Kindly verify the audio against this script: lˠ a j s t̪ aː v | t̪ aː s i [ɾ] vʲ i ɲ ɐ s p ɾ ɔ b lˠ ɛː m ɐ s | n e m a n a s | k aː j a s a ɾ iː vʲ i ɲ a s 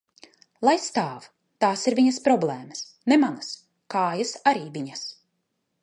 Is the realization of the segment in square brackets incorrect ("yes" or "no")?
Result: no